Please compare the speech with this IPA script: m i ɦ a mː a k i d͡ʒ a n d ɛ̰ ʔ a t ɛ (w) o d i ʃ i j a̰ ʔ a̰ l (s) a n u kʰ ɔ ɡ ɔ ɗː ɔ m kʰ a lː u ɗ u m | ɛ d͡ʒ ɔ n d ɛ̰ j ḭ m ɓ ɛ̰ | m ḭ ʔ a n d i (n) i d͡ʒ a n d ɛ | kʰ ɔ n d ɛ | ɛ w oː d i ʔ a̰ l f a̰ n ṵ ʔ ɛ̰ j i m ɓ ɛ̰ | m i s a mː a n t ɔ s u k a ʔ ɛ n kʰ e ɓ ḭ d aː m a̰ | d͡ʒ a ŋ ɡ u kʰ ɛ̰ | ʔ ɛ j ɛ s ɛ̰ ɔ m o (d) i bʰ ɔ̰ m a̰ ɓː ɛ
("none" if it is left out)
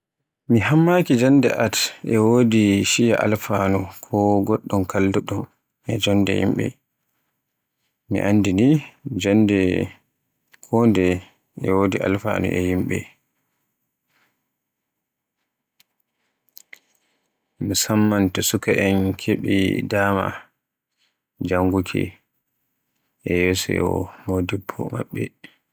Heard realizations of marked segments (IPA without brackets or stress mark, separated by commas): w, f, n, d